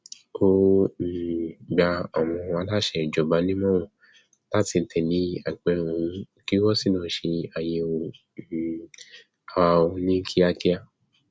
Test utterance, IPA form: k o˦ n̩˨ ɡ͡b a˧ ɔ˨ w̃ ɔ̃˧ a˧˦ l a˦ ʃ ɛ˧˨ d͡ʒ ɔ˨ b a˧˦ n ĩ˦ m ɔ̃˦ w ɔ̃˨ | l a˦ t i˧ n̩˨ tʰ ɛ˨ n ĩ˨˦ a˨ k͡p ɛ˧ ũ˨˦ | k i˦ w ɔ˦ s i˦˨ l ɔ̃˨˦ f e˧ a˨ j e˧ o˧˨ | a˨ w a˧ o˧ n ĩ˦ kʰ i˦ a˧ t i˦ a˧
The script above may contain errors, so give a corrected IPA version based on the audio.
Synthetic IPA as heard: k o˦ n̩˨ ɡ͡b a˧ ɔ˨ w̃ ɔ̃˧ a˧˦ l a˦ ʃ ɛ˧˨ d͡ʒ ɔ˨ b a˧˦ n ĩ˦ m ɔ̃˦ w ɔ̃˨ | l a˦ t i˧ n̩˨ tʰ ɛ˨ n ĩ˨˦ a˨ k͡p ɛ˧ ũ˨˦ | k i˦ w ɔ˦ s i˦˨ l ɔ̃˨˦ ʃ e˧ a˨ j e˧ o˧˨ | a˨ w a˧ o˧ n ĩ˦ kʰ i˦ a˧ k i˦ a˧